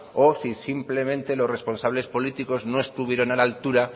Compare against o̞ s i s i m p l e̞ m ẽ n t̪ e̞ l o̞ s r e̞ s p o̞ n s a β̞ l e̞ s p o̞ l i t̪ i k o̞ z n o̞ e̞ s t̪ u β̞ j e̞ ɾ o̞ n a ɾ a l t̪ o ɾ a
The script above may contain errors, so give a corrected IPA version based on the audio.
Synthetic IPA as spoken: o̞ s i s i m p l e̞ m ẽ n t̪ e̞ l o̞ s r e̞ s p o̞ n s a β̞ l e̞ s p o̞ l i t̪ i k o̞ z n o̞ e̞ s t̪ u β̞ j e̞ ɾ o̞ n a l a l t̪ u ɾ a